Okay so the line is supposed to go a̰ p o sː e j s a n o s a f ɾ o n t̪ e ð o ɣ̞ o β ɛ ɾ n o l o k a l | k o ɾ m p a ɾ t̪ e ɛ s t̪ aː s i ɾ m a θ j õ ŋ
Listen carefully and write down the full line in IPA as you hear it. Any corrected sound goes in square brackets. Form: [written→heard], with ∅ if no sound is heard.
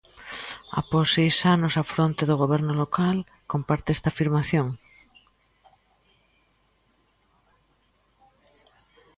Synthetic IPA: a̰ p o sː e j s a n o s a f ɾ o n t̪ e ð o ɣ̞ o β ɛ ɾ n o l o k a l | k o [ɾ→∅] m p a ɾ t̪ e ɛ s t̪ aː [s→f] i ɾ m a θ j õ ŋ